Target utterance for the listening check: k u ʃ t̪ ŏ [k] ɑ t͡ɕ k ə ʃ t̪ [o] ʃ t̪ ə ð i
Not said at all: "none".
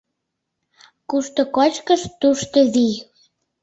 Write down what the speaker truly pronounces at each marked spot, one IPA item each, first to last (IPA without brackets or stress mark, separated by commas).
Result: k, u